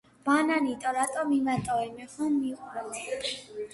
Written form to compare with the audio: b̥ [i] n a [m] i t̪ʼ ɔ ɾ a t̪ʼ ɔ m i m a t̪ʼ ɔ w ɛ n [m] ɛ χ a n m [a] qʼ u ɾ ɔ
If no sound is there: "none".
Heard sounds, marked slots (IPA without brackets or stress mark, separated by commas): a, n, m, i